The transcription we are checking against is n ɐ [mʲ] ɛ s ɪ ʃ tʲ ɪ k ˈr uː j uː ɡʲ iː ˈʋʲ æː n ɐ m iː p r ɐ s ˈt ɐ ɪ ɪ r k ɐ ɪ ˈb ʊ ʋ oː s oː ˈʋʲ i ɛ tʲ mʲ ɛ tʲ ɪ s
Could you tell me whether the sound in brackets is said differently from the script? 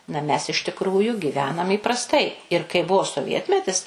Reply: no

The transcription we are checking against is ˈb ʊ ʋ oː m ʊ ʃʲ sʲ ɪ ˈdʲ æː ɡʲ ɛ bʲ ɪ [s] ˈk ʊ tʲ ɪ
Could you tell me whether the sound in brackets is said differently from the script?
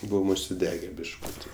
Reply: yes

